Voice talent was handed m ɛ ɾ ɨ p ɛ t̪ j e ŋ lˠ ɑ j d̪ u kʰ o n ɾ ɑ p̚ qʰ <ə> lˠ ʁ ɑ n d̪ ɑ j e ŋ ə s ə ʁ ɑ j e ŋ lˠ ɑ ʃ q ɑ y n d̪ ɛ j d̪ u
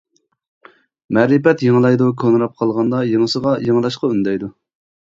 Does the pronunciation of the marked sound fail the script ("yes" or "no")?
yes